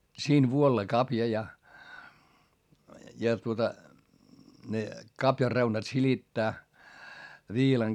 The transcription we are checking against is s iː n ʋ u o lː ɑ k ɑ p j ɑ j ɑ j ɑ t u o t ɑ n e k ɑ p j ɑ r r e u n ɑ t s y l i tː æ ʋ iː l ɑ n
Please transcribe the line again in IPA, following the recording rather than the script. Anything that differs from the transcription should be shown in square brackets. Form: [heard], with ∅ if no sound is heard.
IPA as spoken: s iː n ʋ u o lː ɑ k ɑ p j ɑ j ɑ j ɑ t u o t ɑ n e k ɑ p j ɑ r r e u n ɑ t s [i] l i tː [æː] ʋ iː l ɑ [ŋ]